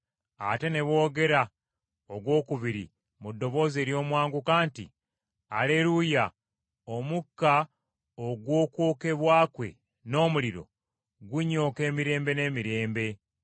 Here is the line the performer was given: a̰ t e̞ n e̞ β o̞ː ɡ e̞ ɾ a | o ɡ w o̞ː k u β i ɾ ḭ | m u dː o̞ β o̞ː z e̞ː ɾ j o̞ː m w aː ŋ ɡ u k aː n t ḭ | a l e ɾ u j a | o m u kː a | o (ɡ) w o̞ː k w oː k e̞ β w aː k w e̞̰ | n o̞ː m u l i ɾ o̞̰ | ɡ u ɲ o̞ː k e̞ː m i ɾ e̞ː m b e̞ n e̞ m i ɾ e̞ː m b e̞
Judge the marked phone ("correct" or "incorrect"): correct